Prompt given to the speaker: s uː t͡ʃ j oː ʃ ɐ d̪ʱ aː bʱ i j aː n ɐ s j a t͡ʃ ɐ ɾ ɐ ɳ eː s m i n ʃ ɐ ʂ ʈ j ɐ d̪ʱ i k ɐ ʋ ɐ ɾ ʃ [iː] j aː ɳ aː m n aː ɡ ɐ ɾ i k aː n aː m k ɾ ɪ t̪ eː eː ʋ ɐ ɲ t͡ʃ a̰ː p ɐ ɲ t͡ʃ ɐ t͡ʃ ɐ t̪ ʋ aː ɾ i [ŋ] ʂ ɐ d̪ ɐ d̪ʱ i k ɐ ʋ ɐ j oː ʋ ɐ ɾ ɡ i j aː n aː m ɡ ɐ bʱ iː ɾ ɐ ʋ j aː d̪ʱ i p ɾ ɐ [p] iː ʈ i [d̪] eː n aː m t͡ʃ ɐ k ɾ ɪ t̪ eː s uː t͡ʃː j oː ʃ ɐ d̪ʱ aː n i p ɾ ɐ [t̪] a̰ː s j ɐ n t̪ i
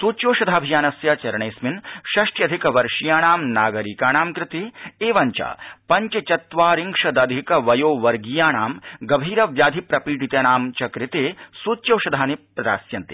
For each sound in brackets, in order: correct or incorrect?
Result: incorrect: i, correct, correct, incorrect: t̪, incorrect: d̪

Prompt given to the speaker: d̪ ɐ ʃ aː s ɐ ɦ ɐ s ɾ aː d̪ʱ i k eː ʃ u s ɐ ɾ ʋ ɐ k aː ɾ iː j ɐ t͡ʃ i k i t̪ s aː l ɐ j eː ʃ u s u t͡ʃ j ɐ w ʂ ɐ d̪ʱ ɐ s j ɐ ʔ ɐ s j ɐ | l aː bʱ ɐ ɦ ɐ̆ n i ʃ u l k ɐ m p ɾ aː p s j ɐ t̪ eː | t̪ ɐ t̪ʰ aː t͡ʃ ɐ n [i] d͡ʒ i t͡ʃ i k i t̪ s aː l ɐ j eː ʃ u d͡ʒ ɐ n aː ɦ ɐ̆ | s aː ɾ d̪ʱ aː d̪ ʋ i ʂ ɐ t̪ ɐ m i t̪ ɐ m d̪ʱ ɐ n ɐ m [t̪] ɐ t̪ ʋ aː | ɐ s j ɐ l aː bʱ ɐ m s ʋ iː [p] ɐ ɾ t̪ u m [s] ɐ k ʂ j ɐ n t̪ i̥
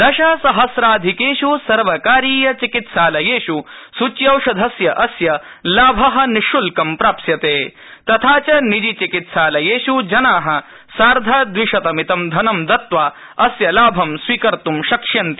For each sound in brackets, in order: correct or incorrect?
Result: correct, incorrect: d̪, incorrect: k, incorrect: ʃ

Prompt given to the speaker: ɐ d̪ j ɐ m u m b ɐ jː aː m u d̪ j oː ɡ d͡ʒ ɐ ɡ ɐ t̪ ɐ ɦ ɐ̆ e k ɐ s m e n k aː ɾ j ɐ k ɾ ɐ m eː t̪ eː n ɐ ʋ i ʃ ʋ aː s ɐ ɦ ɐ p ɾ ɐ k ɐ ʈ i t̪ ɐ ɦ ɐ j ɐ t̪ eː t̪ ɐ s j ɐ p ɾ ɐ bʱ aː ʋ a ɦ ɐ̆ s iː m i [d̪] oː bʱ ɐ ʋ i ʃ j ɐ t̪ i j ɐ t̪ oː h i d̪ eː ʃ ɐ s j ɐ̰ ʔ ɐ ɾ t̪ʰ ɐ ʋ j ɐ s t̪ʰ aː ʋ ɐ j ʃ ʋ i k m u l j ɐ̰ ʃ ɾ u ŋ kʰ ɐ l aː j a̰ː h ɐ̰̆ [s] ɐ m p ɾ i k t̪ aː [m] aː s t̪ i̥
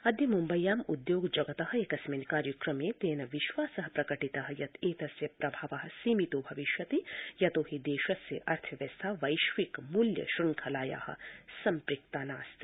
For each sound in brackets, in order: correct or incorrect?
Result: incorrect: t̪, correct, incorrect: n

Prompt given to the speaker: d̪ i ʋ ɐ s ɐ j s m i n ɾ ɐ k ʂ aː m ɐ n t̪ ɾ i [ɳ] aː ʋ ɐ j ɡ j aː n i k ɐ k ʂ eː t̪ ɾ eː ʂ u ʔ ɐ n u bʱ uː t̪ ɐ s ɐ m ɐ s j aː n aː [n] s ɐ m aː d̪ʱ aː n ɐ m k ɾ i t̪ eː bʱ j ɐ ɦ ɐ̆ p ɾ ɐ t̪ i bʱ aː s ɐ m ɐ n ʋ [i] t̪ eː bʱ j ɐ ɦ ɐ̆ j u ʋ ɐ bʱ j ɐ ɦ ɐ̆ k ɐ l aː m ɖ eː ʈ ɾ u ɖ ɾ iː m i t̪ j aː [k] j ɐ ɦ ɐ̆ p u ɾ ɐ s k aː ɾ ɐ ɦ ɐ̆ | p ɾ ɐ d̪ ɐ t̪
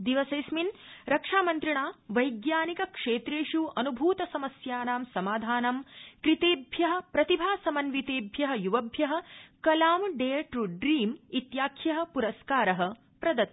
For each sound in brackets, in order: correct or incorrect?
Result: correct, incorrect: m, correct, incorrect: kʰ

